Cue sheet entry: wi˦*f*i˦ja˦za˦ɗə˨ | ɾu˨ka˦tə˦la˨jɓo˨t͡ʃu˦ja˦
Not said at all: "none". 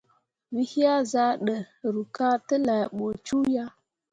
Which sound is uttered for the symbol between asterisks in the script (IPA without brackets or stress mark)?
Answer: h